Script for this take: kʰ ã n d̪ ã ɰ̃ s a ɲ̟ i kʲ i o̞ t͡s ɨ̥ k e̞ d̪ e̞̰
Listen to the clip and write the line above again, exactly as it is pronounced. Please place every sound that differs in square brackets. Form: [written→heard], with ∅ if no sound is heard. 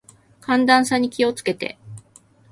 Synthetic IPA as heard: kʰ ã n d̪ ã ɰ̃ s a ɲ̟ i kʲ i o̞ t͡s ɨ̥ k e̞ [d̪→t̪] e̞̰